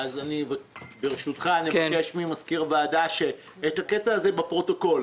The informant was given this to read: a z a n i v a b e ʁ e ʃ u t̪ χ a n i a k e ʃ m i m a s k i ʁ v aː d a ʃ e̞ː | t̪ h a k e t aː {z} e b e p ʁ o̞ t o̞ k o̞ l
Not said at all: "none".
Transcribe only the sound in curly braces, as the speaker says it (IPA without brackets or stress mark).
z